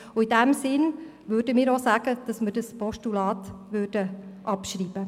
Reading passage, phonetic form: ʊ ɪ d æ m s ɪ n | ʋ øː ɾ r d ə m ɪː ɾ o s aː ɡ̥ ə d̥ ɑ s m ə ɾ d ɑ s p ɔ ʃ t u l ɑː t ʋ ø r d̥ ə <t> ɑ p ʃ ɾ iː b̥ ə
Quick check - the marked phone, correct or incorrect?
incorrect